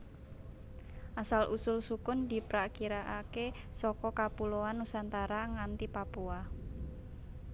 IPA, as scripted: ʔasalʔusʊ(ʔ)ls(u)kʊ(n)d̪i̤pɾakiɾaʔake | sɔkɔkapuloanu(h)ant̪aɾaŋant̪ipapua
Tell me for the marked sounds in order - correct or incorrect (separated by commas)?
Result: incorrect, correct, correct, incorrect